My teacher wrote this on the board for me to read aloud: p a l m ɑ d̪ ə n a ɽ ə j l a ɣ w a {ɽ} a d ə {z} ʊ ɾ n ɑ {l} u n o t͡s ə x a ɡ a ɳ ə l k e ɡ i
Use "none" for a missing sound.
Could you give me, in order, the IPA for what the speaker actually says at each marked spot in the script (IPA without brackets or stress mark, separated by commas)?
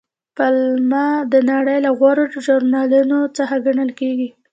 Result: ɾ, ʒ, l